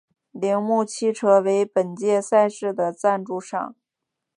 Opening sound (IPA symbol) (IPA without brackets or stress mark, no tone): l